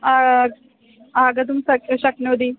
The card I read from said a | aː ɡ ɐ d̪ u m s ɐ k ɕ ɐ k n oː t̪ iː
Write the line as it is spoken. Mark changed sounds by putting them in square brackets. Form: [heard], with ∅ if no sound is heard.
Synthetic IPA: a | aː ɡ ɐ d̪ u m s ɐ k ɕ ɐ k n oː [d̪] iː